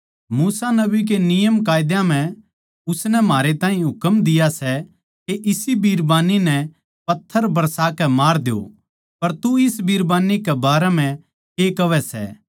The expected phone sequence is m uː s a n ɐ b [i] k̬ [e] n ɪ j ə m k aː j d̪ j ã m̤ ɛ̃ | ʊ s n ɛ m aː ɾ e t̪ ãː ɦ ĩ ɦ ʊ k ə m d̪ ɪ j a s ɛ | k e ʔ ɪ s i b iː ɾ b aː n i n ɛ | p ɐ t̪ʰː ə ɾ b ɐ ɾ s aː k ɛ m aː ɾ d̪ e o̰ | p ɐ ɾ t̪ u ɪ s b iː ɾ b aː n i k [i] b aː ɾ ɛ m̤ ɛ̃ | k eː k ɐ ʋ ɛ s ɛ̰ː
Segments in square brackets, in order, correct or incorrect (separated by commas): correct, correct, incorrect